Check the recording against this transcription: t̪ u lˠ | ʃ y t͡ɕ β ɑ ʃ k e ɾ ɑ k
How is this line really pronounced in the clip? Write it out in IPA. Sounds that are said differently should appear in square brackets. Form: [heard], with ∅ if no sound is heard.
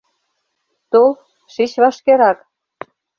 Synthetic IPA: t̪ [o] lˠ | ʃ [i] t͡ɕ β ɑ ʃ k e ɾ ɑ k

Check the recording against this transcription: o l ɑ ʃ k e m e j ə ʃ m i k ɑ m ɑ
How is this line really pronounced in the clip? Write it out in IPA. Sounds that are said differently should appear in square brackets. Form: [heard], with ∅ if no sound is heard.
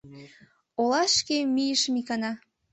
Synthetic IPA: o l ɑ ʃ k e m [i] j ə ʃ m i k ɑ [n] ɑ

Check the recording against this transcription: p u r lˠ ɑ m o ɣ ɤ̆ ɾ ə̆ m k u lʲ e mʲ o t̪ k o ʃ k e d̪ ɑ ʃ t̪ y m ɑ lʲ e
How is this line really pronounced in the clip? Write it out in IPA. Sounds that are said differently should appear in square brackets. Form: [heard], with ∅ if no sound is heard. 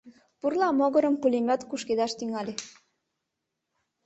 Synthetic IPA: p u r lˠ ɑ m o ɣ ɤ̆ ɾ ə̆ m k u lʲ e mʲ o t̪ k [u] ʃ k e d̪ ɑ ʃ t̪ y [ŋ] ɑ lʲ e

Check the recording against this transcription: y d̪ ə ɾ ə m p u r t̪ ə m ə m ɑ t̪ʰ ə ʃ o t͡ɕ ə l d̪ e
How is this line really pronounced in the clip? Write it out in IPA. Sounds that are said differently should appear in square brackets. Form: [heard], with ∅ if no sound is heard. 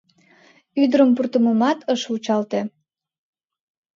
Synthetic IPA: y d̪ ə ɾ ə m p u r t̪ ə m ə m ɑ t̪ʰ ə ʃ [u] t͡ɕ [ɑ] l [t̪] e

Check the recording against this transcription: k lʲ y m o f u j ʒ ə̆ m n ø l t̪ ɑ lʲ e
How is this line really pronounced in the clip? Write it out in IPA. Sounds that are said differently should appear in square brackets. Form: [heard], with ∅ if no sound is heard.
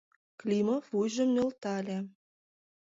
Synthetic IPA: k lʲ [i] m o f u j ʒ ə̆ m n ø l t̪ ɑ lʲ e

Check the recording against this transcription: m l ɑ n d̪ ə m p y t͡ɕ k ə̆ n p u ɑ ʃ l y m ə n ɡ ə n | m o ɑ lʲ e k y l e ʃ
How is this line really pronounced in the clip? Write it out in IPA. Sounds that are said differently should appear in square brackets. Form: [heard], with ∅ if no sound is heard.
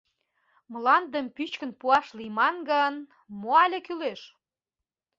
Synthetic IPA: m l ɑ n d̪ ə m p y t͡ɕ k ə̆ n p u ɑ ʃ l [i] m [ɑ] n ɡ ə n | m o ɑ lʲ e k y l e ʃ

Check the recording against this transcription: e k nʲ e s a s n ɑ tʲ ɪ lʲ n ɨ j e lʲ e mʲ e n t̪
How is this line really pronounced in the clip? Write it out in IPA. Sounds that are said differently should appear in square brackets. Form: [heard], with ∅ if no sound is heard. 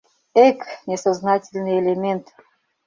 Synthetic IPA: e k nʲ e s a [z] n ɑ tʲ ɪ lʲ n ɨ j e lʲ e mʲ e n t̪

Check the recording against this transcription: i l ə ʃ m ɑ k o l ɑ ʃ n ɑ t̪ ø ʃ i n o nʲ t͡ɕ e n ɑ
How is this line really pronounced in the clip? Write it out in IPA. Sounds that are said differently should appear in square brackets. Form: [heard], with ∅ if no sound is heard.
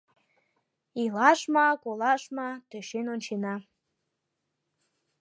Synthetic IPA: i l [ɑ] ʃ m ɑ k o l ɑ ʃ [m] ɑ t̪ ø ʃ [e] n o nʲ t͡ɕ e n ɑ

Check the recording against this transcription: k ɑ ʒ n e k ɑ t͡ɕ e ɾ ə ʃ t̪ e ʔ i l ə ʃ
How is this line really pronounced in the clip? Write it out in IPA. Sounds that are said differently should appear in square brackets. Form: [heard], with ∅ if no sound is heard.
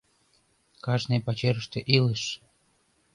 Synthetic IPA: k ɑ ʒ n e [p] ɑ t͡ɕ e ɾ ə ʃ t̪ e ʔ i l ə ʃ

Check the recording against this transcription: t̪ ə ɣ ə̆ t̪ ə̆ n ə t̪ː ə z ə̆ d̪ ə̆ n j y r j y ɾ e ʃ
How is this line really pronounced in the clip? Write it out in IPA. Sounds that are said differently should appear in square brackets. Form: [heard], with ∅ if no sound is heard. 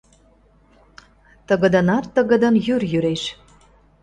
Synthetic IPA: t̪ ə ɣ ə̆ [d̪] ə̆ n [ɑ] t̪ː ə [ɣ] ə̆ d̪ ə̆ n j y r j y ɾ e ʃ

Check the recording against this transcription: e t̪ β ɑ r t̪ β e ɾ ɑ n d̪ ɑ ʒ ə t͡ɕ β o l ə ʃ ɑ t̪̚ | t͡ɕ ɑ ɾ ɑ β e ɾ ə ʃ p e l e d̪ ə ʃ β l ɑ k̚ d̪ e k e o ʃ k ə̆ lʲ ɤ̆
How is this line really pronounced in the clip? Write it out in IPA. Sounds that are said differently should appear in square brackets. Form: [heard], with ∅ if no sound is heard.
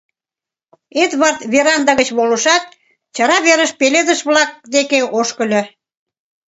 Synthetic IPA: e t̪ β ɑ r t̪ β e ɾ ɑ n d̪ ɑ [ɣ] ə t͡ɕ β o l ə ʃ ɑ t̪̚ | t͡ɕ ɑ ɾ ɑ β e ɾ ə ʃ p e l e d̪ ə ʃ β l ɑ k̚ d̪ e k e o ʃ k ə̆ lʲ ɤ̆

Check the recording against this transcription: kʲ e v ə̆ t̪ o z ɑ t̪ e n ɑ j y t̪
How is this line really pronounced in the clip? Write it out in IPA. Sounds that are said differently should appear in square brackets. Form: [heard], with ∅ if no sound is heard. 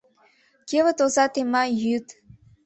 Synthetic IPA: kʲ e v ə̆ t̪ o z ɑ t̪ e [m] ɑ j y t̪

